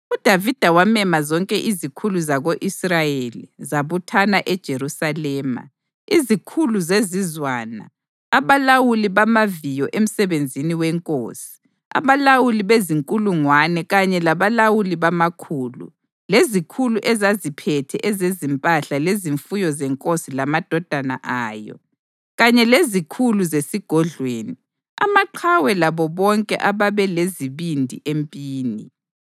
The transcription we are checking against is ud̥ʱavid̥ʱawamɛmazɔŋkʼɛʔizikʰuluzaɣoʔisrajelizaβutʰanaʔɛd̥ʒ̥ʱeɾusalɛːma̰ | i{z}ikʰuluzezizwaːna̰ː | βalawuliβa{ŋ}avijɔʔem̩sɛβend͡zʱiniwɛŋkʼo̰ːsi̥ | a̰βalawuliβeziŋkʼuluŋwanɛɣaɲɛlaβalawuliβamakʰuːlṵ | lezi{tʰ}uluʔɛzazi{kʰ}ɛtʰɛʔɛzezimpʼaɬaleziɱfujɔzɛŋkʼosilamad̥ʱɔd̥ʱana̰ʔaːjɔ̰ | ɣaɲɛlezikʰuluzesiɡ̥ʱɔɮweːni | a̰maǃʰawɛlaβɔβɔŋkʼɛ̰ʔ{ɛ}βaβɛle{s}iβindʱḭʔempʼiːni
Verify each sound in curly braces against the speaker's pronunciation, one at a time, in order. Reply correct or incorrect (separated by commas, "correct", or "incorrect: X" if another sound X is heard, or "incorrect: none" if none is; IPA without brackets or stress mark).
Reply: correct, incorrect: m, incorrect: kʰ, incorrect: pʰ, incorrect: a, incorrect: z